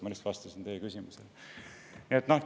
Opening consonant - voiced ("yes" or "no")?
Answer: yes